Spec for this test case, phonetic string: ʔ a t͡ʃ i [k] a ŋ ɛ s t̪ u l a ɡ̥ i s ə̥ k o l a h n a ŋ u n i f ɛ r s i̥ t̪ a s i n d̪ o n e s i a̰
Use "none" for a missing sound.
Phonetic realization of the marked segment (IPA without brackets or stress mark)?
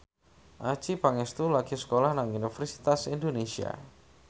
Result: p